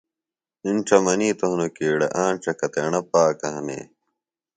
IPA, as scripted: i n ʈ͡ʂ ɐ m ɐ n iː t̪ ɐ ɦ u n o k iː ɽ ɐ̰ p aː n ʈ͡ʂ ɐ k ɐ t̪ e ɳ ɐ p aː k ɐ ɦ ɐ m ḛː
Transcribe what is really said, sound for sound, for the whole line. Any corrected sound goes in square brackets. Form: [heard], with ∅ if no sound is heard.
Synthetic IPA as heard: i n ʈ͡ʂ ɐ m ɐ n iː t̪ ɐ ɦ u n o k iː ɽ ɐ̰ [ʔ] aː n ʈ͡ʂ ɐ k ɐ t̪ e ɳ ɐ p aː k ɐ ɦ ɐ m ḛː